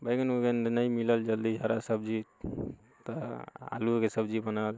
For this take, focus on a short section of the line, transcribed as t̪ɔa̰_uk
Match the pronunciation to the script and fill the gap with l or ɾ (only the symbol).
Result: l